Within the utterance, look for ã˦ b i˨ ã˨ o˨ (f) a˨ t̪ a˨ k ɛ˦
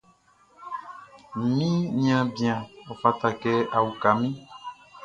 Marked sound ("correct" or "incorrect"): correct